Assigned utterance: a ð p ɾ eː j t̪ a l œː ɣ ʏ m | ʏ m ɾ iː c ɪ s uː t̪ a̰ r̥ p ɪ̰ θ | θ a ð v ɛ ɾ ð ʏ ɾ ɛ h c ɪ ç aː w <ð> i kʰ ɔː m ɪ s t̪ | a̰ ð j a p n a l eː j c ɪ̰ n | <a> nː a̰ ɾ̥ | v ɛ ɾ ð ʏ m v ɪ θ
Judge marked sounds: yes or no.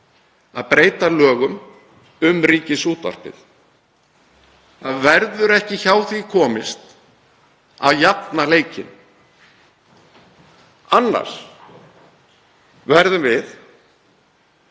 no, yes

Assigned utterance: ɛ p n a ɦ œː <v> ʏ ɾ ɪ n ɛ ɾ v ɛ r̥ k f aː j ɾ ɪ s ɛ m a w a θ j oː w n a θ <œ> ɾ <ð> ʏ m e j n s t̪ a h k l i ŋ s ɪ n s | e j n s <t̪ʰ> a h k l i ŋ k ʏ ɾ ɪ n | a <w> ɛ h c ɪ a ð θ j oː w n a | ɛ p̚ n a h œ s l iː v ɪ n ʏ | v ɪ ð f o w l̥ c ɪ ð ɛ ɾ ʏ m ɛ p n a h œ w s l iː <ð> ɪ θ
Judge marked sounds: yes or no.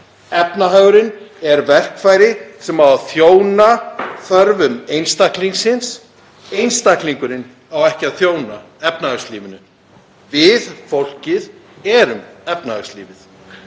no, yes, no, no, yes, no

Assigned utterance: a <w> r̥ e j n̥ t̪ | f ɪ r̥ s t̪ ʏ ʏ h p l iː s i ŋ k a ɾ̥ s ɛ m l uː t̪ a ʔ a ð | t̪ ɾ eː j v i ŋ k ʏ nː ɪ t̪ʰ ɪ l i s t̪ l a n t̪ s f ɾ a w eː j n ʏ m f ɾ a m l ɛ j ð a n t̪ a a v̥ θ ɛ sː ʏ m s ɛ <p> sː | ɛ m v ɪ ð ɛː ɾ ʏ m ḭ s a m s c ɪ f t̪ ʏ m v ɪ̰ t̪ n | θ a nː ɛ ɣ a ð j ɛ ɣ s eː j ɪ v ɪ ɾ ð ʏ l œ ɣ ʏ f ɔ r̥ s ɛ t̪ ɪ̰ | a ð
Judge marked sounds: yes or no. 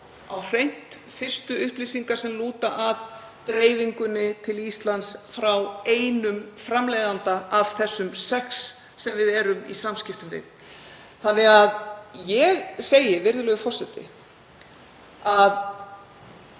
yes, no

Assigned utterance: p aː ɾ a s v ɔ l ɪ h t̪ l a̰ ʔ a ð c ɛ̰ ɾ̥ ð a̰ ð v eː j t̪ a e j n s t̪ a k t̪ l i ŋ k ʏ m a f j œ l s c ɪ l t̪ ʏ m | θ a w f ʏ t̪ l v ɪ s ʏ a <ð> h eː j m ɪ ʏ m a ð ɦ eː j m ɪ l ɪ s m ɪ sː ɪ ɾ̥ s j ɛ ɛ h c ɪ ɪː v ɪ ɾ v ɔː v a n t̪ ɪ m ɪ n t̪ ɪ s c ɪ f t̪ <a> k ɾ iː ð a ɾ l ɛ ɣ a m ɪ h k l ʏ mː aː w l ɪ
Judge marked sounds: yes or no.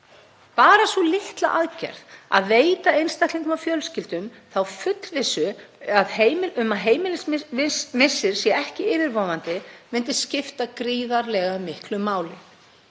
yes, yes

